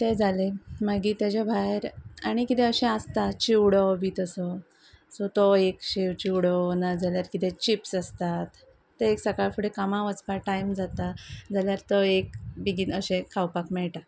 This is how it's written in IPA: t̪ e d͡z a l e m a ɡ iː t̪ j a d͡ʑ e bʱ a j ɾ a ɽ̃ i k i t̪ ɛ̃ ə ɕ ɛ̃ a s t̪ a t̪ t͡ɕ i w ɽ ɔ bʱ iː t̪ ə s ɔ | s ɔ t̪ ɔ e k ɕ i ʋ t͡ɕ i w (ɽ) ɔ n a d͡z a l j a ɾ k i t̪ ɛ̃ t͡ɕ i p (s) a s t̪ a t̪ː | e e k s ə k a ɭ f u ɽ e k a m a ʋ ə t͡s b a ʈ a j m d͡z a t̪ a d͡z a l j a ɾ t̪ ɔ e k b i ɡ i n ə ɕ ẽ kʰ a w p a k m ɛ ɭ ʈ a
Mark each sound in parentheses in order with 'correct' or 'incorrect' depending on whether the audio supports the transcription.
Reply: correct, correct

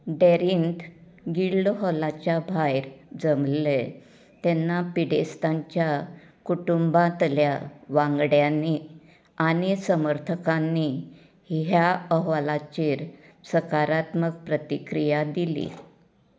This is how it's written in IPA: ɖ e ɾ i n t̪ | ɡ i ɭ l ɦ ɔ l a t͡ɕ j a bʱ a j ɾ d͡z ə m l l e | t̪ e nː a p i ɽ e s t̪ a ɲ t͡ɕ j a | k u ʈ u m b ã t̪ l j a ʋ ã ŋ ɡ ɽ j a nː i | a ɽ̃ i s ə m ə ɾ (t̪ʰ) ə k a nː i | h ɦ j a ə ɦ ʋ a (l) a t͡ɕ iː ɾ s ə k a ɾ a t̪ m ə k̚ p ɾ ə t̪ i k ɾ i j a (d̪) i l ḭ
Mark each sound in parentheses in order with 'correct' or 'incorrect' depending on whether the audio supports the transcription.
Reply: correct, correct, correct

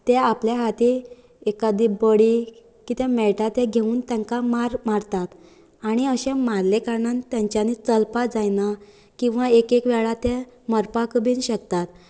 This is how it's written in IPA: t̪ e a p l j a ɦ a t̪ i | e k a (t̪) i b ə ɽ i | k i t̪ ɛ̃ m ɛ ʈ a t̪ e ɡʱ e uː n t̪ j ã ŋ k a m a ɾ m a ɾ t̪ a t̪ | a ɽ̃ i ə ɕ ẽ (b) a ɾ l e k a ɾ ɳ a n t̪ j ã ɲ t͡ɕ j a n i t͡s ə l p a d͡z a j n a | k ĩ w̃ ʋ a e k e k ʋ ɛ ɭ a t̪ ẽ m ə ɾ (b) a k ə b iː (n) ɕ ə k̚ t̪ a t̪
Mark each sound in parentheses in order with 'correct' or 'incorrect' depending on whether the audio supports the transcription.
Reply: incorrect, incorrect, incorrect, correct

